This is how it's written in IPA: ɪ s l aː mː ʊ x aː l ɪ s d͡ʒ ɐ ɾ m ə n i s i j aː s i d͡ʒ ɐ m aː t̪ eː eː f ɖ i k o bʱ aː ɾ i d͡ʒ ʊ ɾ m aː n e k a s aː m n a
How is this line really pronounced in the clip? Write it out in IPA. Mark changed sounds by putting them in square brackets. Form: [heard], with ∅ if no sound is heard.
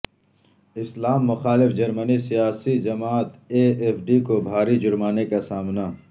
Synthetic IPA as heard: ɪ s l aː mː ʊ x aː l ɪ [f] d͡ʒ ɐ ɾ m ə n i s i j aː s i d͡ʒ ɐ m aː t̪ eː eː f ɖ i k o bʱ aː ɾ i d͡ʒ ʊ ɾ m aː n e k a s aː m n a